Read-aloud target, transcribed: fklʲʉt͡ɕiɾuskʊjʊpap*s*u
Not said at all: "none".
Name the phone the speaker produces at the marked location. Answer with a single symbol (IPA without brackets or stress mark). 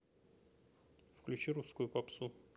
s